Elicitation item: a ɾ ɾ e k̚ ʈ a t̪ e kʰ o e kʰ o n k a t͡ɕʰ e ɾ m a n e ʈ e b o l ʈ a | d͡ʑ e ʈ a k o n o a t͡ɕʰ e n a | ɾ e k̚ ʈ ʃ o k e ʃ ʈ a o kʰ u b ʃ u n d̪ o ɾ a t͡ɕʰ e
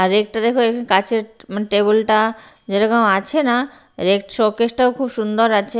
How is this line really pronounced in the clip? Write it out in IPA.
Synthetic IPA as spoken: a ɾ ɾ e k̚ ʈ a d̪ e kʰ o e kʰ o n k a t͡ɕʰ e ɾ m a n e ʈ e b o l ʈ a | d͡ʑ e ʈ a k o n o a t͡ɕʰ e n a | ɾ e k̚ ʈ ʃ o k e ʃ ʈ a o kʰ u b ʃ u n d̪ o ɾ a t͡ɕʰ e